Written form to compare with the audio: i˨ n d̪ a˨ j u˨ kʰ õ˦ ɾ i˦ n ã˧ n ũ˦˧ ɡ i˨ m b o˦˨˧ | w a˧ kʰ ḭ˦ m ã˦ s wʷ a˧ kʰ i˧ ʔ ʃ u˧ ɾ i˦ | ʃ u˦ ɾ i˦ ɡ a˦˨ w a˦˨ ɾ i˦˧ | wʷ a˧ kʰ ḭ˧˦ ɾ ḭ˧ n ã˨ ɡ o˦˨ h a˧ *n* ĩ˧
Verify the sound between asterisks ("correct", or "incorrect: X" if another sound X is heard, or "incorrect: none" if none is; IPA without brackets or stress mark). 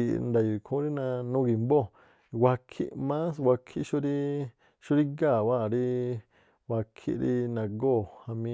incorrect: m